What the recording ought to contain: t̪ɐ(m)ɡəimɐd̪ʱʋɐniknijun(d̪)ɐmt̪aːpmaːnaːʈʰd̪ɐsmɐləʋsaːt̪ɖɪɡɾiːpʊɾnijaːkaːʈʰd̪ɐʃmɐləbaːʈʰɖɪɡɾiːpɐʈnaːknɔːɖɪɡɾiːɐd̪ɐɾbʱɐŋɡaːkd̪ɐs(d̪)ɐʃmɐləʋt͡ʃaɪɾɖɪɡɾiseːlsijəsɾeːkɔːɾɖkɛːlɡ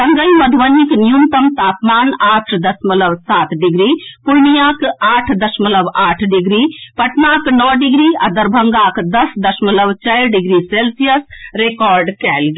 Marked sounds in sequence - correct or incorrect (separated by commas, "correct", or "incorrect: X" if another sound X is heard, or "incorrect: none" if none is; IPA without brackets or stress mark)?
incorrect: ŋ, incorrect: t̪, correct